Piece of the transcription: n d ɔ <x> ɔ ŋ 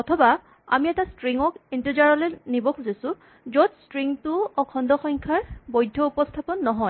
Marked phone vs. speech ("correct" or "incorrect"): correct